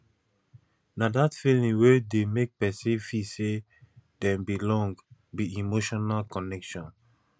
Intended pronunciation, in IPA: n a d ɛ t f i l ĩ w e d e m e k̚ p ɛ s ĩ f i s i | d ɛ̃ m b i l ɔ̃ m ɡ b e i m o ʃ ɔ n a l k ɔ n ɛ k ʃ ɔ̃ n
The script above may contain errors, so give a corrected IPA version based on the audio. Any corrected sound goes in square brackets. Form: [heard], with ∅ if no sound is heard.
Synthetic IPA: n a d [a] t f i l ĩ w e d e m e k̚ p ɛ s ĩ f i s [e] | d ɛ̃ m b i l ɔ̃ [ŋ] ɡ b [i] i m o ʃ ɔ n a l k ɔ n ɛ k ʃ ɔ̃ n